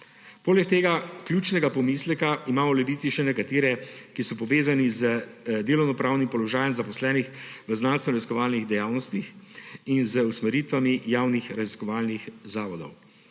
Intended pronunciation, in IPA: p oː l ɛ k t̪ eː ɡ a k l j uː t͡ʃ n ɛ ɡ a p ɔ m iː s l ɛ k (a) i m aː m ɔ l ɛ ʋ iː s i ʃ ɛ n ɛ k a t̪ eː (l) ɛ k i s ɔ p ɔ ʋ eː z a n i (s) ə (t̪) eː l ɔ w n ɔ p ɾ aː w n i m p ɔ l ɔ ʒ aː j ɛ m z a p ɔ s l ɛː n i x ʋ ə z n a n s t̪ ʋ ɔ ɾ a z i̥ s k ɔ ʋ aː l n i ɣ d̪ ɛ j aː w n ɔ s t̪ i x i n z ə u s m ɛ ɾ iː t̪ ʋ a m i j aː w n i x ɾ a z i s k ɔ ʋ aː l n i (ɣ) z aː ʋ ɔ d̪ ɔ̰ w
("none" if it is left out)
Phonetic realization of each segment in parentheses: a, ɾ, z, d̪, x

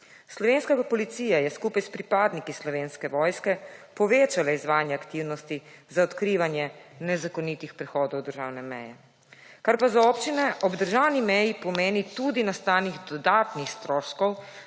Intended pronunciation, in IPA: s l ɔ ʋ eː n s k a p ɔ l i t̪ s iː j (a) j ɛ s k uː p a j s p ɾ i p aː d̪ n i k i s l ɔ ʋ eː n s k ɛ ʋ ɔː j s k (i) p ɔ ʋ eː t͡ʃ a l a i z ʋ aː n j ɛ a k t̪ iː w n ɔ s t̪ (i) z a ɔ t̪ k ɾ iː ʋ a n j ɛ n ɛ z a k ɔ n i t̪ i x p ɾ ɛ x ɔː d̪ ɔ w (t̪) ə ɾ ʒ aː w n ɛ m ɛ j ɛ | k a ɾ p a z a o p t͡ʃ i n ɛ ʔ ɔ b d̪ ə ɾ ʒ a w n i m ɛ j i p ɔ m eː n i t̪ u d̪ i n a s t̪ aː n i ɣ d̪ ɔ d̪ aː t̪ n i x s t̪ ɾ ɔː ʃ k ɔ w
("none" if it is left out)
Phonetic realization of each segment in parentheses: a, ɛ, i, d̪

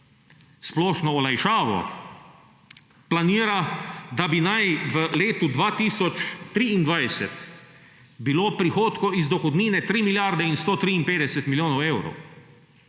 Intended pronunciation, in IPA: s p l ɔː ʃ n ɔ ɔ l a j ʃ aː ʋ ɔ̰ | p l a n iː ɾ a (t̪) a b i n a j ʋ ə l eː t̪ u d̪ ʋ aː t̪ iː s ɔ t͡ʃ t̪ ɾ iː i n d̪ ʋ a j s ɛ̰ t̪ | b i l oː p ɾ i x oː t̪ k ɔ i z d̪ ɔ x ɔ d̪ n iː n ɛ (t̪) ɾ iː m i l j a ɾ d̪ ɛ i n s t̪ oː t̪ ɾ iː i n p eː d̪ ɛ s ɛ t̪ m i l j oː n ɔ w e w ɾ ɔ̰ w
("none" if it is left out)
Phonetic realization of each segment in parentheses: d̪, t̪

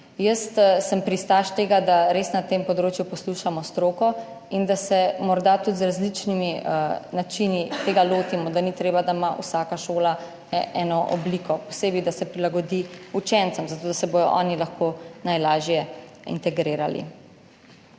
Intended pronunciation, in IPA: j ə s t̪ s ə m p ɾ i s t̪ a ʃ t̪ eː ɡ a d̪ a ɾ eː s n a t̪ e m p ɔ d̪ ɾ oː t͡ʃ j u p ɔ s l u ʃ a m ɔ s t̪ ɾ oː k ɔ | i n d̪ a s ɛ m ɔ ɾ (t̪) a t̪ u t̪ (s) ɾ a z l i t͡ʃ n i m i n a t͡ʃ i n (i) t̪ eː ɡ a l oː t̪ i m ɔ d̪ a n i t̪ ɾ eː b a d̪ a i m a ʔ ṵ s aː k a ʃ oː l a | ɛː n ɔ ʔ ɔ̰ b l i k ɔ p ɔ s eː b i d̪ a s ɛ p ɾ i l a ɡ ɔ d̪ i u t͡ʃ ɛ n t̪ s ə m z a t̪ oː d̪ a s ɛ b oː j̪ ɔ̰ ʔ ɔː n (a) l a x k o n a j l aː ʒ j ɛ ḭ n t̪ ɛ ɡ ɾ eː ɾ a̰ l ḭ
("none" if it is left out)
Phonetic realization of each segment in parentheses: d̪, z, i, i

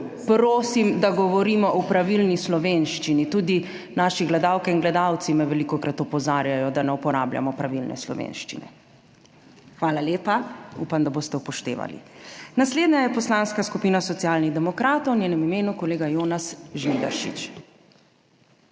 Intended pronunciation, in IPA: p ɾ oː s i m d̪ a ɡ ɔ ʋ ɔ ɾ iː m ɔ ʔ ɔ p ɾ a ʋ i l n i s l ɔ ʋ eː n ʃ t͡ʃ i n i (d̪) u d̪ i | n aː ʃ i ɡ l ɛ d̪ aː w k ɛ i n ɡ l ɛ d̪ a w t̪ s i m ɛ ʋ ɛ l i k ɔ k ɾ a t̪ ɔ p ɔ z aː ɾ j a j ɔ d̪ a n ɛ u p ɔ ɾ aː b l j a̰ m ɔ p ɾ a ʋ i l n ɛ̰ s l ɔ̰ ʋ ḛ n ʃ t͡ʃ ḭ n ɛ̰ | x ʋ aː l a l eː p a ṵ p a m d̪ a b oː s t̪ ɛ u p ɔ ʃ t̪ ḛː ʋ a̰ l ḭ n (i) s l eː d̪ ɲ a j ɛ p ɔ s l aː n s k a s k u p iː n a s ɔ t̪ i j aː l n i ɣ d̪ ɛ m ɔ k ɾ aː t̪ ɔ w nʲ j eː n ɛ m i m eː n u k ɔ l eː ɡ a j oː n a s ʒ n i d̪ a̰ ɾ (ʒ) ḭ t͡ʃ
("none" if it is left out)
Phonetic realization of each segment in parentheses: t̪, a, ʃ

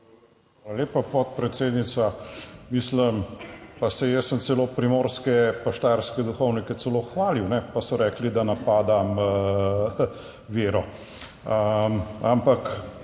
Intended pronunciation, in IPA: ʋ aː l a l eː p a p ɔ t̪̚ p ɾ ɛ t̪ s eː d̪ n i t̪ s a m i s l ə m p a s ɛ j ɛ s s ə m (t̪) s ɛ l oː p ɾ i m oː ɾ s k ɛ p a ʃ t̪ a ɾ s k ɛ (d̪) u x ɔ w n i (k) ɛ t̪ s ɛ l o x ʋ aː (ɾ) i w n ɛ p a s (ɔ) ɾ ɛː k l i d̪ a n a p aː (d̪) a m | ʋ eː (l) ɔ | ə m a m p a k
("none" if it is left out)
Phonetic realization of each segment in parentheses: t̪, d̪, k, l, ɔ, d̪, ɾ

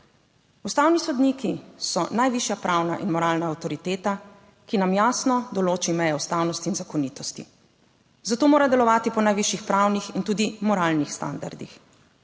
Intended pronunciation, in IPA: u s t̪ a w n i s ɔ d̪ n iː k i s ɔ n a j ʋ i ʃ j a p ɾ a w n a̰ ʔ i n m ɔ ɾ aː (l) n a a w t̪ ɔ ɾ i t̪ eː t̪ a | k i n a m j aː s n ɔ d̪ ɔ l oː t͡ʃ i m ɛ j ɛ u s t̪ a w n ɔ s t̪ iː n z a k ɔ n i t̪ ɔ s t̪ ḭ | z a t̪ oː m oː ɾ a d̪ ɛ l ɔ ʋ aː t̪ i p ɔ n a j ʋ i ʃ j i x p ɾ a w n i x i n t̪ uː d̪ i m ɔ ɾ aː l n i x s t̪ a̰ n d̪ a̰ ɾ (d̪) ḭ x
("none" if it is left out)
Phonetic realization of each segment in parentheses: l, d̪

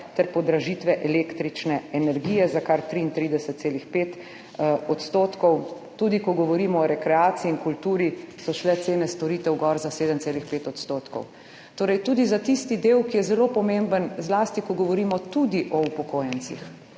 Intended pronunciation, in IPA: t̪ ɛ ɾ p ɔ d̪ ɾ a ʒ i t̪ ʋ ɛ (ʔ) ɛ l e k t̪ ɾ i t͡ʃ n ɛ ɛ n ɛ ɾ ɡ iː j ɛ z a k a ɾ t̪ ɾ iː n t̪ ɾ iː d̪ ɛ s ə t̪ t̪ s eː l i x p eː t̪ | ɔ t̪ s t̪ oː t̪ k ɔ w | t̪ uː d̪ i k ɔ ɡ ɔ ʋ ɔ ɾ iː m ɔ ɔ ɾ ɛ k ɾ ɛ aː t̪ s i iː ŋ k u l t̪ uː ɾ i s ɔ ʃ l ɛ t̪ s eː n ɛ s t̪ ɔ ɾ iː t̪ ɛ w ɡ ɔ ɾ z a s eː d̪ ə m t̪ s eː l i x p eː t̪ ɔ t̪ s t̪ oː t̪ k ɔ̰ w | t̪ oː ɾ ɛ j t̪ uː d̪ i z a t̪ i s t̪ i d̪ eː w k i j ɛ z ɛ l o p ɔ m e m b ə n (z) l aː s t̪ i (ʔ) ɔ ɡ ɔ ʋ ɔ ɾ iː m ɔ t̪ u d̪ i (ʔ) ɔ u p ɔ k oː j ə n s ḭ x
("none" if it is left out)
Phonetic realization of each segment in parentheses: ʔ, z, k, ʔ

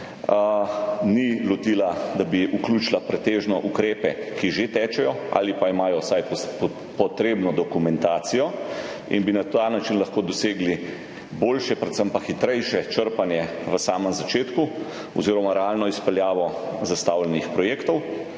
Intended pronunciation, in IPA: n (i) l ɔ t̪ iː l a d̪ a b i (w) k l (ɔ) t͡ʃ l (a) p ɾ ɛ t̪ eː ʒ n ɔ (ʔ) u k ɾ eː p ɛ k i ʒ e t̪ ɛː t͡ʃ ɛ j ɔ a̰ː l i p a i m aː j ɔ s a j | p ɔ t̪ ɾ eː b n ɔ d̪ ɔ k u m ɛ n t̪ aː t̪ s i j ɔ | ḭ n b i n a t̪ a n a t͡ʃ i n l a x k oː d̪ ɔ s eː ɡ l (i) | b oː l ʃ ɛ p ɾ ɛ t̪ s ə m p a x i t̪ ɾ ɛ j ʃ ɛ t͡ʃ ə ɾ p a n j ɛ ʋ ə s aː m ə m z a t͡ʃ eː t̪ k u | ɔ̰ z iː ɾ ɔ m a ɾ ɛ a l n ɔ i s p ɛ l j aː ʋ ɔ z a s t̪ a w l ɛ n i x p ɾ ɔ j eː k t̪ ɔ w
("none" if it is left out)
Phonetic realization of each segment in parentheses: i, u, u, a, ʔ, i

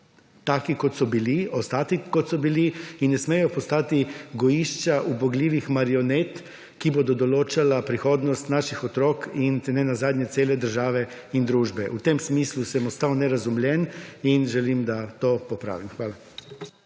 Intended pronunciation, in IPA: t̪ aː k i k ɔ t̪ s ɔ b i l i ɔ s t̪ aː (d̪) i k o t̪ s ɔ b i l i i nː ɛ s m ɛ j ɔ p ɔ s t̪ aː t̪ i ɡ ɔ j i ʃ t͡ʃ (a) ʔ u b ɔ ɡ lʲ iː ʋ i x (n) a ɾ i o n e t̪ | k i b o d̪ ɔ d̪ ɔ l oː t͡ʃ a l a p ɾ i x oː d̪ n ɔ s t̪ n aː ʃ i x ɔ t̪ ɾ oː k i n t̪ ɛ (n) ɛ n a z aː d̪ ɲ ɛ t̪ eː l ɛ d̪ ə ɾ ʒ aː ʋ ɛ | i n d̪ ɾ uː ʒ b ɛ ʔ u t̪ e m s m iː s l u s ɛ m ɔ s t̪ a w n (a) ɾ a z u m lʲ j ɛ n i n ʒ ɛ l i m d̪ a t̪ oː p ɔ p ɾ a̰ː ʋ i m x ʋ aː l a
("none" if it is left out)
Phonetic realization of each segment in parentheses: t̪, a, m, n, ɛ

